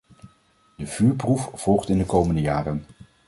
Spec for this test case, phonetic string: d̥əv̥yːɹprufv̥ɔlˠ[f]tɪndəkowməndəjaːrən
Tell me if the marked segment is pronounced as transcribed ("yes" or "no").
no